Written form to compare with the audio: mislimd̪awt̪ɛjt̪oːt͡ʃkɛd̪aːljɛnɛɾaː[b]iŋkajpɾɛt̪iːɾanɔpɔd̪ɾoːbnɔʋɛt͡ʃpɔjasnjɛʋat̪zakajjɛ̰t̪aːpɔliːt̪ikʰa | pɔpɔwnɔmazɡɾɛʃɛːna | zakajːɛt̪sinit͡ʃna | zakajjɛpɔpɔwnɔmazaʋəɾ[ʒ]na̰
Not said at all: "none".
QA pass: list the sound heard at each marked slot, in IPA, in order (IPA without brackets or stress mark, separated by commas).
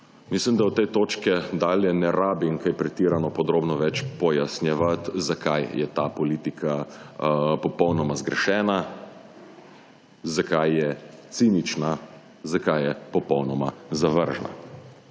b, ʒ